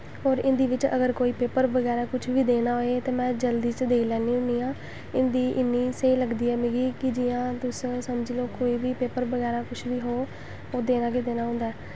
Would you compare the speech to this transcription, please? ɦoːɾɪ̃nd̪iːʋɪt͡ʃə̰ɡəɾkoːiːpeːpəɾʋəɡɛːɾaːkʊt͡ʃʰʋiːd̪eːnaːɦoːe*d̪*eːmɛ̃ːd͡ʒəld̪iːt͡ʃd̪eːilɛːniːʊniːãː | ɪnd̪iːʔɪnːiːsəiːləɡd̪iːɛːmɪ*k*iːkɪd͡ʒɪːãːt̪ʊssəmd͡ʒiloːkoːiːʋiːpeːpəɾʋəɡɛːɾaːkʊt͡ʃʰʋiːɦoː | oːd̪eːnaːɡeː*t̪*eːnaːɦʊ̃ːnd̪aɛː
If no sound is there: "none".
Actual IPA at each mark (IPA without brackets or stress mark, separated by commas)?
t̪, ɡ, d̪